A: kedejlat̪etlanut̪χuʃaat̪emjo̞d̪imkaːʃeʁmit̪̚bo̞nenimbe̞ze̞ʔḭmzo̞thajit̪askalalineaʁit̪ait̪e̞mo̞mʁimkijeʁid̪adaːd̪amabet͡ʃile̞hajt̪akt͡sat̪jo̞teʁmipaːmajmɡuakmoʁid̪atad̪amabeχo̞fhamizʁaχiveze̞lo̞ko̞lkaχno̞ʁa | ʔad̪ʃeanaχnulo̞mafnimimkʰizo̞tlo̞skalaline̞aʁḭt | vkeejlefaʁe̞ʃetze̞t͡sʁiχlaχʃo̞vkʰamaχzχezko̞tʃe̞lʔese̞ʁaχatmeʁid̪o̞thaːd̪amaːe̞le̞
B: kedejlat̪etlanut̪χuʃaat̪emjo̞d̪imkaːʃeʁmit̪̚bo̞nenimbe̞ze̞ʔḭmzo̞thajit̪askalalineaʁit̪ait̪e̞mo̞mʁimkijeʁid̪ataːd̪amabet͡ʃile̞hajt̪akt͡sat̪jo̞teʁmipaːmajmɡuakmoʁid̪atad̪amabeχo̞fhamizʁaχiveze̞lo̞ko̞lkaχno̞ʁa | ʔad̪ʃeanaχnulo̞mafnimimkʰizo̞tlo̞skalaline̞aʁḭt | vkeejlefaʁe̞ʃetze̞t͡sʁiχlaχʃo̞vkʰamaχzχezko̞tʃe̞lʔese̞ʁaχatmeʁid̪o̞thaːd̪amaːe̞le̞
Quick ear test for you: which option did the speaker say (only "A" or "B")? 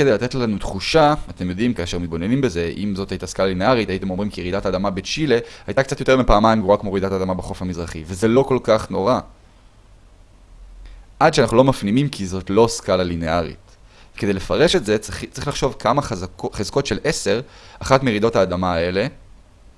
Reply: B